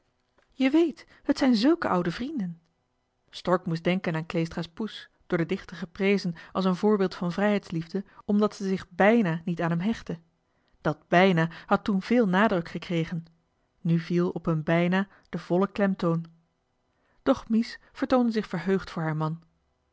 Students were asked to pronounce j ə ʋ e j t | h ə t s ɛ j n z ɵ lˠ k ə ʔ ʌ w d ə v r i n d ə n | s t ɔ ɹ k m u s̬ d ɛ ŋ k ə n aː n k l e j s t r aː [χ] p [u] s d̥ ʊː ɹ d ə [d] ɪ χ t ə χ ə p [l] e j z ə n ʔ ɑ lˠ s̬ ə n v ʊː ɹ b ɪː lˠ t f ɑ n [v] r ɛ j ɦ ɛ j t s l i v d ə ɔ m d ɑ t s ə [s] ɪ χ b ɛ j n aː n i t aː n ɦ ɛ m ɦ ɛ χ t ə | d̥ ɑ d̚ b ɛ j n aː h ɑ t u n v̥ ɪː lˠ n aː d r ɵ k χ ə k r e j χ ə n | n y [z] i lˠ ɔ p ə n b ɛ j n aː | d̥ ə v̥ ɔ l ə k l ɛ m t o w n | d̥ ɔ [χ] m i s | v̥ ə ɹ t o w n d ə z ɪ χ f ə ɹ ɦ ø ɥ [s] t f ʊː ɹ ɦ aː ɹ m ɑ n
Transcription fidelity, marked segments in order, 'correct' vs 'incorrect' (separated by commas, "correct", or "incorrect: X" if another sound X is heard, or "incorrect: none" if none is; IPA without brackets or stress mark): incorrect: s, correct, correct, incorrect: r, correct, incorrect: z, incorrect: v, correct, incorrect: χ